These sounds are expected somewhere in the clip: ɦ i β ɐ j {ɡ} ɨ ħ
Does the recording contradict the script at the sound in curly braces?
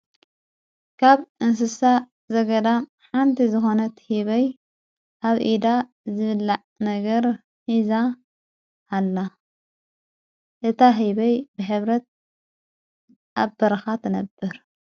yes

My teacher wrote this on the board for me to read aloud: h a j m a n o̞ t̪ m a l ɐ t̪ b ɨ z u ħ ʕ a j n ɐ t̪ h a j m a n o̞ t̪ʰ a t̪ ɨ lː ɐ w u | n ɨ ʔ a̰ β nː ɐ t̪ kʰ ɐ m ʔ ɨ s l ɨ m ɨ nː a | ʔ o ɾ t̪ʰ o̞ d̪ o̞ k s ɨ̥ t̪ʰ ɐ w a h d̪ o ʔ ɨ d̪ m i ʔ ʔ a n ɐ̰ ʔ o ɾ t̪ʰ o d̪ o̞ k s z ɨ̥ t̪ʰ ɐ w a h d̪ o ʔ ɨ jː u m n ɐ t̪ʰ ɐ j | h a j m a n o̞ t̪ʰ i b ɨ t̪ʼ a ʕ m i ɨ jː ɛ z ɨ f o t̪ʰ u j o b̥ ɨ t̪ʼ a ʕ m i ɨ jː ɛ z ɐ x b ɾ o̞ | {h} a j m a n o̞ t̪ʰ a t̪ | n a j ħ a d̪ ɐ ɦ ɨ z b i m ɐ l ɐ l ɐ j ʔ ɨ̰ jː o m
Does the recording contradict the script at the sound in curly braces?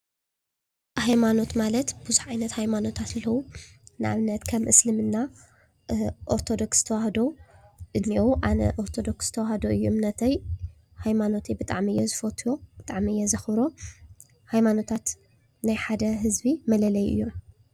no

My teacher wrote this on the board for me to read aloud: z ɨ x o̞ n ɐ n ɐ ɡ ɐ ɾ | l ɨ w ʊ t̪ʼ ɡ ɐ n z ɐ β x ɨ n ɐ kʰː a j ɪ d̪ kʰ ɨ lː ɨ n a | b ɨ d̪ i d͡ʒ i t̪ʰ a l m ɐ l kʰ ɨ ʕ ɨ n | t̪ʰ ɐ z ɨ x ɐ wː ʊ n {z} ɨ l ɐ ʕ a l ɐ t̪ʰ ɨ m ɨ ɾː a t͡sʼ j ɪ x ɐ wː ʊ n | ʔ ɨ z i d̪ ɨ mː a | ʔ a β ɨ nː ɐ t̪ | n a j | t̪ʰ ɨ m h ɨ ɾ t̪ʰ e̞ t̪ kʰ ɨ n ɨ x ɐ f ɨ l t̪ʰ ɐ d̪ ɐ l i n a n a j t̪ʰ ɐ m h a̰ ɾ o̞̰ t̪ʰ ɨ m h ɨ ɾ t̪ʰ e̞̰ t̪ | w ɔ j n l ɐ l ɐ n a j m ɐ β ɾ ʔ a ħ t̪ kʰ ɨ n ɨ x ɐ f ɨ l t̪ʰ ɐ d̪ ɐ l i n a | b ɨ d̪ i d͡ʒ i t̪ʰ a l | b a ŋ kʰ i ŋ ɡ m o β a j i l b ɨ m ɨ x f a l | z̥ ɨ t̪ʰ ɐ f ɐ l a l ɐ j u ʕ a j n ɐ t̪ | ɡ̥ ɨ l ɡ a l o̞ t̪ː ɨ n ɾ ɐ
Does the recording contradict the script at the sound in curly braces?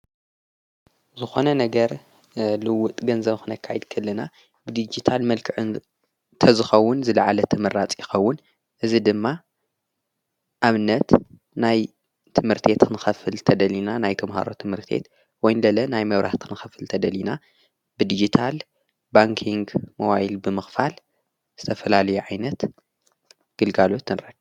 no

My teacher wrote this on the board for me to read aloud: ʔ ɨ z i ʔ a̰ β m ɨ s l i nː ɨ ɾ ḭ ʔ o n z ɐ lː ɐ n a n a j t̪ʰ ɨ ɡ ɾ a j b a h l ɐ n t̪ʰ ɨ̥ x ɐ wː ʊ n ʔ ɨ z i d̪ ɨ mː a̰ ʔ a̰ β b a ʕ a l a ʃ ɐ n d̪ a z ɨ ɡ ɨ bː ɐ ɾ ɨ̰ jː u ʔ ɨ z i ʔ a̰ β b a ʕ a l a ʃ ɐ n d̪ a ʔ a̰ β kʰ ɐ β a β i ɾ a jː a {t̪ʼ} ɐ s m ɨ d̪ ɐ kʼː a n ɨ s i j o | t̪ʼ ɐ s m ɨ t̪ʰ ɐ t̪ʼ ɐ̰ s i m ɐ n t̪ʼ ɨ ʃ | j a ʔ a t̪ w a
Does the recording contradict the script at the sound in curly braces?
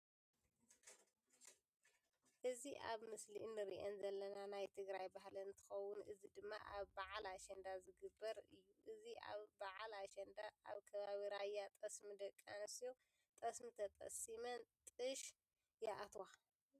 no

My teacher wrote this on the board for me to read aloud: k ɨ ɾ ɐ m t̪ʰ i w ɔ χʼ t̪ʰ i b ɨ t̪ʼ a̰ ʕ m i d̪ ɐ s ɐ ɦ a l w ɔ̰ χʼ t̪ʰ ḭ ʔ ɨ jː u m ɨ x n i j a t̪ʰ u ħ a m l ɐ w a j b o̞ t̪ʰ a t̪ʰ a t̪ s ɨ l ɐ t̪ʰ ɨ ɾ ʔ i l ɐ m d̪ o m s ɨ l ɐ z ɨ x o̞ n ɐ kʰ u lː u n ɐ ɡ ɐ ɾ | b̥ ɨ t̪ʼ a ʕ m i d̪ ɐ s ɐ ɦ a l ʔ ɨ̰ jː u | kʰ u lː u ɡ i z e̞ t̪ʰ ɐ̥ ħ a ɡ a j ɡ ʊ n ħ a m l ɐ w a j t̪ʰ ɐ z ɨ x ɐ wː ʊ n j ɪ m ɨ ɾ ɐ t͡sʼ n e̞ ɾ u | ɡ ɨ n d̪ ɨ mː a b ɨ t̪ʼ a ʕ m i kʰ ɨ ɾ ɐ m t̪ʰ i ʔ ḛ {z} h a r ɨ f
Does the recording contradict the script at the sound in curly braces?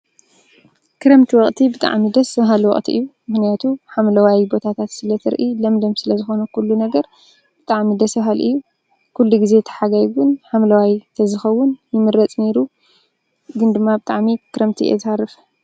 no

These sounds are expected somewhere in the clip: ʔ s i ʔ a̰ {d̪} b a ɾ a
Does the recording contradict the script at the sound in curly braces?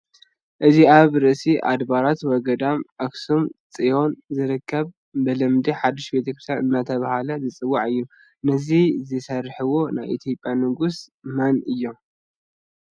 no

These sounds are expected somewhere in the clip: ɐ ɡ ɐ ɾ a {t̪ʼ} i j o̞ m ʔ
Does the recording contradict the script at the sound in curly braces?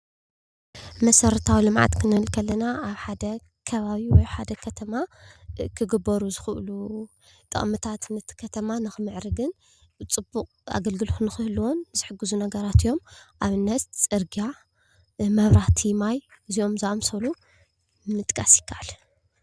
yes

